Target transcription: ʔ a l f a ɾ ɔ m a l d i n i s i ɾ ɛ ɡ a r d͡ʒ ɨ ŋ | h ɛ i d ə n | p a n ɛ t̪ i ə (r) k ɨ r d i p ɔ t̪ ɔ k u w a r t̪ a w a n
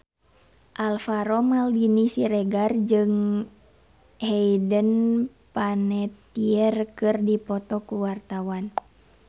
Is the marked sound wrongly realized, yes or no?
no